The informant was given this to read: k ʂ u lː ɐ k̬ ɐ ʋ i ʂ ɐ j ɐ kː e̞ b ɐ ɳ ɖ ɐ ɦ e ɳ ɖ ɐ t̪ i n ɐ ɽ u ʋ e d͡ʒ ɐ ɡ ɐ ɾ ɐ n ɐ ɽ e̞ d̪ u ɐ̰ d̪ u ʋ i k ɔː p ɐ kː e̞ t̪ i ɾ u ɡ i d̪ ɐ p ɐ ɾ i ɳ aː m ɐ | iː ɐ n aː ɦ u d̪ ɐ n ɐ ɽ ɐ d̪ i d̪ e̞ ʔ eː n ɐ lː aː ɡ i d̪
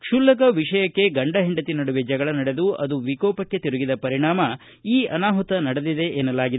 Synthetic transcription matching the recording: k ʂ u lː ɐ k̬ ɐ ʋ i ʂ ɐ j ɐ kː e̞ ɡ ɐ ɳ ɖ ɐ ɦ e ɳ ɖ ɐ t̪ i n ɐ ɽ u ʋ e d͡ʒ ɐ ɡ ɐ ɭ ɐ n ɐ ɽ e̞ d̪ u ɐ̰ d̪ u ʋ i k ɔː p ɐ kː e̞ t̪ i ɾ u ɡ i d̪ ɐ p ɐ ɾ i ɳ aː m ɐ | iː ɐ n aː ɦ u t̪ ɐ n ɐ ɽ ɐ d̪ i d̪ e̞ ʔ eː n ɐ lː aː ɡ i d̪